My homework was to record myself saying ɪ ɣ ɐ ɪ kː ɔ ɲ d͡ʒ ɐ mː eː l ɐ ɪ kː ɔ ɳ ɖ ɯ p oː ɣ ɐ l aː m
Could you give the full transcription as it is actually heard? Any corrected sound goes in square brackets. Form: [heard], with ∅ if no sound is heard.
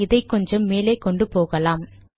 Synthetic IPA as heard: ɪ [ð] ɐ ɪ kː ɔ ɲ d͡ʒ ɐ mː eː l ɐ ɪ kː ɔ ɳ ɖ ɯ p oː ɣ ɐ l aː m